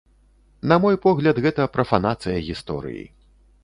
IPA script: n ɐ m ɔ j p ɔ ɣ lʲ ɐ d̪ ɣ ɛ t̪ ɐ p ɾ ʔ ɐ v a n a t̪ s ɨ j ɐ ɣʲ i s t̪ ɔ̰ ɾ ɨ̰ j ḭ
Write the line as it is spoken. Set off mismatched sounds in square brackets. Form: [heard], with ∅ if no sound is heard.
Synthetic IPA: n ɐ m ɔ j p ɔ ɣ lʲ ɐ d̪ ɣ ɛ t̪ ɐ p ɾ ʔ ɐ [f] a n a t̪ s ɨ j ɐ ɣʲ i s t̪ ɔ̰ ɾ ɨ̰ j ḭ